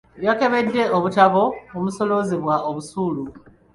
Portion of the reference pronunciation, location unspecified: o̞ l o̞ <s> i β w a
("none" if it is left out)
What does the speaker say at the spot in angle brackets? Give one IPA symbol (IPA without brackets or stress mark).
z